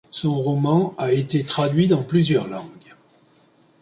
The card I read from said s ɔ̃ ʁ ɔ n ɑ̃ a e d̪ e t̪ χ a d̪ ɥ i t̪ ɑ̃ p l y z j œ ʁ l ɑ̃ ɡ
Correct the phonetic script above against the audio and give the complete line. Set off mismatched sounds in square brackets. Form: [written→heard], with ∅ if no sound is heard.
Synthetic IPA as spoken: s ɔ̃ ʁ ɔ [n→m] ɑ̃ a e [d̪→t̪] e t̪ χ a d̪ ɥ i [t̪→d̪] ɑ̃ p l y z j œ ʁ l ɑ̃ ɡ